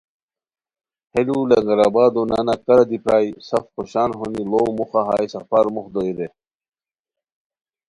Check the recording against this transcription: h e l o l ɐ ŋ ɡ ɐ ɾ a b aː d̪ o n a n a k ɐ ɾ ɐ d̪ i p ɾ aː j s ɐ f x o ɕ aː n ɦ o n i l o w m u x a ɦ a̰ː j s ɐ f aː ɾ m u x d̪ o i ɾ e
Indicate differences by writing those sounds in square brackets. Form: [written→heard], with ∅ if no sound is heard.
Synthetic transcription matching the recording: h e l [o→u] l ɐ ŋ ɡ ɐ ɾ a b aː d̪ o n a n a k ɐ ɾ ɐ d̪ i p ɾ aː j s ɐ f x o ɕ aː n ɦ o n i l o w m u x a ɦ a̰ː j s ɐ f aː ɾ m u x d̪ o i ɾ e